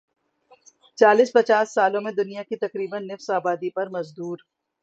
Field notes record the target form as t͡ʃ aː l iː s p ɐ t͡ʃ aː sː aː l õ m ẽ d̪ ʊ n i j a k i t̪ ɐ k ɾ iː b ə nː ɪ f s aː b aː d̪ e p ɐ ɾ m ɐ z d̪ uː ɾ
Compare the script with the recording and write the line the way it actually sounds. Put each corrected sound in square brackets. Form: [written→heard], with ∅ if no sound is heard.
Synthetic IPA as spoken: t͡ʃ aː l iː s p ɐ t͡ʃ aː sː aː l õ m ẽ d̪ ʊ n i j a k i t̪ ɐ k ɾ iː b ə nː ɪ f s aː b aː d̪ [e→i] p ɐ ɾ m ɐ z d̪ uː ɾ